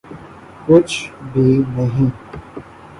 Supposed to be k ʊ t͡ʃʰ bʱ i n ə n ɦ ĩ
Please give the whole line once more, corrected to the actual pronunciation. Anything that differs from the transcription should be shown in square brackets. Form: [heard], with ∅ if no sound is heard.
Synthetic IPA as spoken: k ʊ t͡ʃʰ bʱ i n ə [∅] ɦ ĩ